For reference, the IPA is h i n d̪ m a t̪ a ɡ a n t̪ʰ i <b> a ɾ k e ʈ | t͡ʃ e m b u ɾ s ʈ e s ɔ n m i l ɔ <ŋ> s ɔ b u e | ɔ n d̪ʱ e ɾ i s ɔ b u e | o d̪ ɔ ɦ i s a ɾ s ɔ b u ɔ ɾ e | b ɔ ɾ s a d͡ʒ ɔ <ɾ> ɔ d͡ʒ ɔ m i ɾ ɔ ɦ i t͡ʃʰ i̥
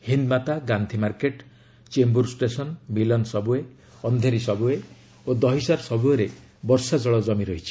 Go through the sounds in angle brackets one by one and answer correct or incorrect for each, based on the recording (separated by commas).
incorrect, incorrect, incorrect